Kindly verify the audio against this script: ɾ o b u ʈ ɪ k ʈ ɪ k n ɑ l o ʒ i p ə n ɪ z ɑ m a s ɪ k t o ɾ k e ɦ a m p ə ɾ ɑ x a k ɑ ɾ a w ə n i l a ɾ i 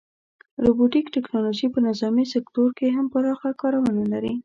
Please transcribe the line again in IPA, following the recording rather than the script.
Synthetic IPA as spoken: ɾ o b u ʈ i k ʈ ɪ k n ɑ l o ʒ i p ə n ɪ z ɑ m i s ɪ k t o ɾ k e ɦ a m p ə ɾ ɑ x a k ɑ ɾ a w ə n a l a ɾ i